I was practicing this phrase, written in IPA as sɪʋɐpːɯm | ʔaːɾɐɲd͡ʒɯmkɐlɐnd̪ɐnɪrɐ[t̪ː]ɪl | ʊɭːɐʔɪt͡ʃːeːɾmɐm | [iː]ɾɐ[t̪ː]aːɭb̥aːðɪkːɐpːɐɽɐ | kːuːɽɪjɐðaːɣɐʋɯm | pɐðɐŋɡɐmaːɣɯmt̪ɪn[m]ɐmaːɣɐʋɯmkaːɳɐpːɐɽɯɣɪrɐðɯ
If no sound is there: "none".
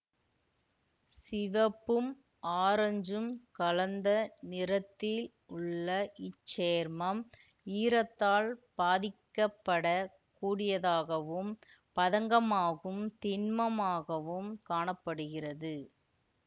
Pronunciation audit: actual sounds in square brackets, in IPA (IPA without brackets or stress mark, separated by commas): t̪ː, iː, t̪ː, m